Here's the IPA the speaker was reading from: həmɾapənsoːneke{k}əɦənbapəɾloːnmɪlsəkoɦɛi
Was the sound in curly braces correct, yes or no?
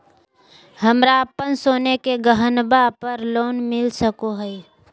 no